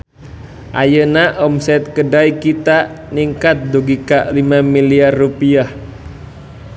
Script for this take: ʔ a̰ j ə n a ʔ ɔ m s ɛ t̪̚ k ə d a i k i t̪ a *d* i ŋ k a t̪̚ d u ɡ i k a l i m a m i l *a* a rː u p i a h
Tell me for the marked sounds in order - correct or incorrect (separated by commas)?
incorrect, incorrect